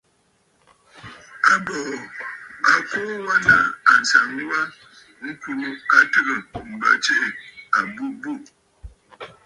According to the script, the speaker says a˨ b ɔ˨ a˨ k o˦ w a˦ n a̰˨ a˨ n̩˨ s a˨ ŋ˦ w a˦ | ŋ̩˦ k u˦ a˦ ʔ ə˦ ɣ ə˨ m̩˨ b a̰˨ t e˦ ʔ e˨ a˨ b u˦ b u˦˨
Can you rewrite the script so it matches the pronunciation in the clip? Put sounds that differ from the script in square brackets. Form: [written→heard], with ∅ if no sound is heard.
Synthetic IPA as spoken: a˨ b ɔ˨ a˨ k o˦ w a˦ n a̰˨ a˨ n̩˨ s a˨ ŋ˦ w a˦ | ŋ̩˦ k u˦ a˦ [ʔ→t] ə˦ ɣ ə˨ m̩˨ b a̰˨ [t→t͡ʃ] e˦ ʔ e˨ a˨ b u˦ b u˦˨

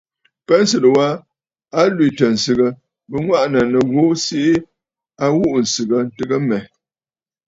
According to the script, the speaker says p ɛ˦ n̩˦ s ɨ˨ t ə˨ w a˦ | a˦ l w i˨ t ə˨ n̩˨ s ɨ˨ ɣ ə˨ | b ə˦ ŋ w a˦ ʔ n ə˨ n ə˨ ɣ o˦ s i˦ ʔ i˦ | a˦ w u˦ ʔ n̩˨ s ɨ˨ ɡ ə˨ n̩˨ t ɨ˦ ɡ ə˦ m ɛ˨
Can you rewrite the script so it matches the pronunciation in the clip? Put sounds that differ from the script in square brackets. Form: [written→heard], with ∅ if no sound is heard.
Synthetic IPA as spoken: p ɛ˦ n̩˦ s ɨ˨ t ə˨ w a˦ | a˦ l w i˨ t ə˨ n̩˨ s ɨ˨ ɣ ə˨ | b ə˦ ŋ w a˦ ʔ n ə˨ n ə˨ ɣ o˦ s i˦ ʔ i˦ | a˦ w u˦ ʔ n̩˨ s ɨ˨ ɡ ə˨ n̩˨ t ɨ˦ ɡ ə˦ m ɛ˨

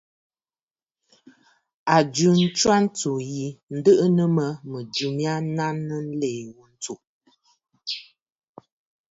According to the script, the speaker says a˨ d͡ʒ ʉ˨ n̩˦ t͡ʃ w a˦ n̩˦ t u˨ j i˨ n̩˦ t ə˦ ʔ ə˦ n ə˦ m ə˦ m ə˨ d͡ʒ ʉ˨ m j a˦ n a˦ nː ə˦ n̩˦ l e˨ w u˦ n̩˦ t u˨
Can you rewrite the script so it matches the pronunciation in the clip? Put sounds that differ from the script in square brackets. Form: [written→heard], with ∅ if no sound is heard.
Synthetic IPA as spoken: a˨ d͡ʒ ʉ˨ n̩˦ t͡ʃ w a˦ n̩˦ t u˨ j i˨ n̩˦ [t→d] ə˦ ʔ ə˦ n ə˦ m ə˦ m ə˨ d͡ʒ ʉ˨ m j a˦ n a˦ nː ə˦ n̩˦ l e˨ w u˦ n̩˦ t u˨

